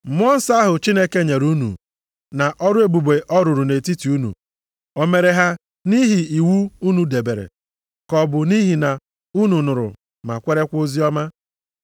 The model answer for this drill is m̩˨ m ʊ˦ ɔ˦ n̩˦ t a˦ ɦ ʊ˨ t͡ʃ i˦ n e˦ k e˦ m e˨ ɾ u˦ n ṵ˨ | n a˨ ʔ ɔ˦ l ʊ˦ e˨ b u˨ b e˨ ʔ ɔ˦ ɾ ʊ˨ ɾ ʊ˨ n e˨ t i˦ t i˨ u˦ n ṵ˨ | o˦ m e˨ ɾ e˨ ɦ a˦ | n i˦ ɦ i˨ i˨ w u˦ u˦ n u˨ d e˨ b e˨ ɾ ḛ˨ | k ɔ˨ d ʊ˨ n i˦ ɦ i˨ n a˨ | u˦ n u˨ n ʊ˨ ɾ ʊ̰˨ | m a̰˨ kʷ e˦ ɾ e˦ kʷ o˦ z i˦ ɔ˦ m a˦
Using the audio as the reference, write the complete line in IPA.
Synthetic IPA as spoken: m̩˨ m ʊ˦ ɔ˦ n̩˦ s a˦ ɦ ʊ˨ t͡ʃ i˦ n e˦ k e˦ ɲ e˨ ɾ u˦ n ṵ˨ | n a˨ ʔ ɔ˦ ɾ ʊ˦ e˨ b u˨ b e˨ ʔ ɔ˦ ɾ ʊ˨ ɾ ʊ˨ n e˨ t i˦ t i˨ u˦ n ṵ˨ | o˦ m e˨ ɾ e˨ ɦ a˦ | n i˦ ɦ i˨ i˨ w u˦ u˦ n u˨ d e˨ b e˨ ɾ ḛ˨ | k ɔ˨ b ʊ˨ n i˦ ɦ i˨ n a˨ | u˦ n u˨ n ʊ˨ ɾ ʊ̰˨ | m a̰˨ kʷ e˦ ɾ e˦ kʷ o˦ z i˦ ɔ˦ m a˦